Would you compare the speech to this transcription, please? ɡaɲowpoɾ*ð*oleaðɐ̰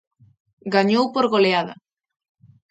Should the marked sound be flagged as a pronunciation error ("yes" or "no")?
yes